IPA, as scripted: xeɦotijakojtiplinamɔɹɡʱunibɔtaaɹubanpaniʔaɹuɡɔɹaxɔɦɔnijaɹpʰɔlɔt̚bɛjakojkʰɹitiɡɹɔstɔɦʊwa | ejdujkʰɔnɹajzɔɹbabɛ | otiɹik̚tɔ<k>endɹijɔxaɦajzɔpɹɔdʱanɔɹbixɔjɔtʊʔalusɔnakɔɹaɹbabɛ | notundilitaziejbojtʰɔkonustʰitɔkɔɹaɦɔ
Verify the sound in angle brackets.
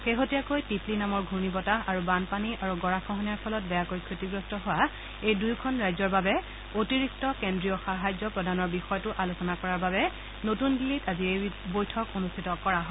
correct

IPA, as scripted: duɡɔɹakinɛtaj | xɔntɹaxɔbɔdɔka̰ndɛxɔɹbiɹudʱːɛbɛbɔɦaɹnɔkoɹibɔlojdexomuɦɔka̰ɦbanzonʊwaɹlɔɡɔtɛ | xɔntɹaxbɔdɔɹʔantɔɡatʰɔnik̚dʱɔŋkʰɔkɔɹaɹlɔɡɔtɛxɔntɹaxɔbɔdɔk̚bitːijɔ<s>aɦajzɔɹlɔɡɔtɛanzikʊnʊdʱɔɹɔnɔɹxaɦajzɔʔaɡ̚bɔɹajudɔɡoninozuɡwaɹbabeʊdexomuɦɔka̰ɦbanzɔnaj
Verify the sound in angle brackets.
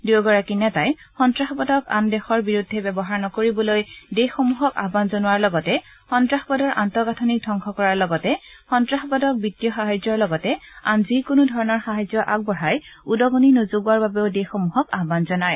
incorrect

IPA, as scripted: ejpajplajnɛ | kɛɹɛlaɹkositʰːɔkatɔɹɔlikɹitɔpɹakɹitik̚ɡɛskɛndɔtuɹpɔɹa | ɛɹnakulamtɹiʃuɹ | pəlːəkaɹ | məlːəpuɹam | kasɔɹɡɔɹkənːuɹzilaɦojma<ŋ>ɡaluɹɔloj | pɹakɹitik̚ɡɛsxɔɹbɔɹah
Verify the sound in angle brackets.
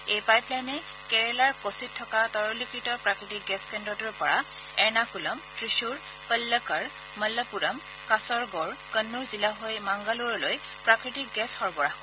correct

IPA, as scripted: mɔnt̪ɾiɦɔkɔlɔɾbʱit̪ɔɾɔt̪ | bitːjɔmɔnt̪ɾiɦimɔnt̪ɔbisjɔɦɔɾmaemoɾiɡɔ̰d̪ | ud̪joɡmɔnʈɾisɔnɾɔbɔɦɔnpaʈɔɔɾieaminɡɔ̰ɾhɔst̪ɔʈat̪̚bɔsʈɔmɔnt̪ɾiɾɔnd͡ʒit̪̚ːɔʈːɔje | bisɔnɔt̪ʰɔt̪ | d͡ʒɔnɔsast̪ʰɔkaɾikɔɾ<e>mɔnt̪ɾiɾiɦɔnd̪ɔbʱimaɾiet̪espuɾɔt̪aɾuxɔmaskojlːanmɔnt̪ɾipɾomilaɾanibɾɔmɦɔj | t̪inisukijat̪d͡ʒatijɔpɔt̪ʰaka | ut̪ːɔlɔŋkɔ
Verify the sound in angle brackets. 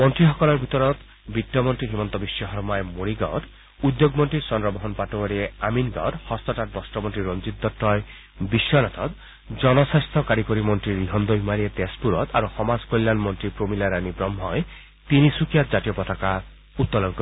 incorrect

